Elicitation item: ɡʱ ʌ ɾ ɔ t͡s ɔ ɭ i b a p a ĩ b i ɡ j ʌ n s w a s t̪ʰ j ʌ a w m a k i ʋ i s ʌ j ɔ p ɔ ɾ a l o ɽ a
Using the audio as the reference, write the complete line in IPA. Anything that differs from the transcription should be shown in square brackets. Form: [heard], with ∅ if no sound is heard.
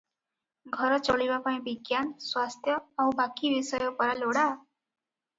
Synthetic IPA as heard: ɡʱ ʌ ɾ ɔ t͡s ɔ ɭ i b a p a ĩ b i ɡ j [a] n s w a s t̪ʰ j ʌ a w [b] a k i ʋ i s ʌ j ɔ p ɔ ɾ a l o ɽ a